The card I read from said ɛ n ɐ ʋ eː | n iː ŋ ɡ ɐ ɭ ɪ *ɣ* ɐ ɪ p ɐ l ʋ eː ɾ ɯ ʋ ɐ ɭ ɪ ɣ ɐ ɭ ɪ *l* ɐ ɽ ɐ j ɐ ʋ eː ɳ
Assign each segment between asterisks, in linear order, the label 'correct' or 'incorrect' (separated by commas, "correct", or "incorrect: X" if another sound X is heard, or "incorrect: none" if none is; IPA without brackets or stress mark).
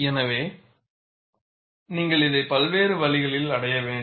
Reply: incorrect: ð, correct